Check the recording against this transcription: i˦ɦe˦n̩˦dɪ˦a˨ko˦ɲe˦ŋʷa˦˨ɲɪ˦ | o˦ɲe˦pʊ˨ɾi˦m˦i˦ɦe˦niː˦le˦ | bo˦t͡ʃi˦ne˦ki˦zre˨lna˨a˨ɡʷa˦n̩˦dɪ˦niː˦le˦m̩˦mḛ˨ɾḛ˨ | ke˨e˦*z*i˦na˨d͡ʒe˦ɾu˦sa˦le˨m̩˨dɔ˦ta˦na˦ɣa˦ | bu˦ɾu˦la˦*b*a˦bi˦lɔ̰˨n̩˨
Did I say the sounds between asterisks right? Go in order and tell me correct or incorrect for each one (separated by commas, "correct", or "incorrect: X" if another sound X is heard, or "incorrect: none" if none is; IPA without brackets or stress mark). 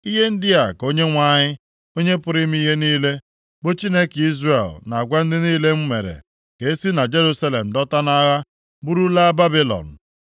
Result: incorrect: s, correct